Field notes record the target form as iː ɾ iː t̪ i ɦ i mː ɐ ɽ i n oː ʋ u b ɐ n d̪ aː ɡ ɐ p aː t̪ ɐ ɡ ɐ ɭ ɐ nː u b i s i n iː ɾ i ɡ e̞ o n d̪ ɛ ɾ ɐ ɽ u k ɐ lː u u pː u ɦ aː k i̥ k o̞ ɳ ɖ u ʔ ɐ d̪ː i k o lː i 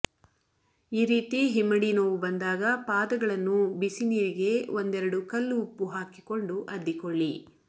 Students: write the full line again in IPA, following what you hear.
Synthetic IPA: iː ɾ iː t̪ i ɦ i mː ɐ ɽ i n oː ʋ u b ɐ n d̪ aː ɡ ɐ p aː d̪ ɐ ɡ ɐ ɭ ɐ nː u b i s i n iː ɾ i ɡ e̞ o n d̪ ɛ ɾ ɐ ɽ u k ɐ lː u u pː u ɦ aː k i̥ k o̞ ɳ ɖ u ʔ ɐ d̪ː i k o ɭː i